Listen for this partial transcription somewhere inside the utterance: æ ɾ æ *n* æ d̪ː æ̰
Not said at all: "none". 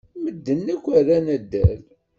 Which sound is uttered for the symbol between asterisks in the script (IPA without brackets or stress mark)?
n